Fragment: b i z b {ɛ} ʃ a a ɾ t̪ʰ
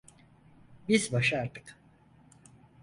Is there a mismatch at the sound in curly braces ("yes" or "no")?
yes